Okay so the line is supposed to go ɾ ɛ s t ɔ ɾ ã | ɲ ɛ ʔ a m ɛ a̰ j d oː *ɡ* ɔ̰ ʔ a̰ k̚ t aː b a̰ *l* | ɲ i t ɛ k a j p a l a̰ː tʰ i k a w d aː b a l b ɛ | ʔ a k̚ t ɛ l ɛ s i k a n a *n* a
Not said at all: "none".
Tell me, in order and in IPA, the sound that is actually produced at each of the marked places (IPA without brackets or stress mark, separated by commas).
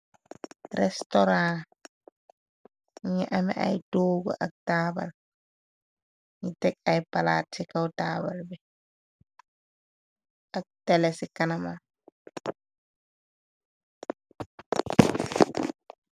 ɡ, l, m